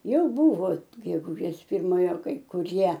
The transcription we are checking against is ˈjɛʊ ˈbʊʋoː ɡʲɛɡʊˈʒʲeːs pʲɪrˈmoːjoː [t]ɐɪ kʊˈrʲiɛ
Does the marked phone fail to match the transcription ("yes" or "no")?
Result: yes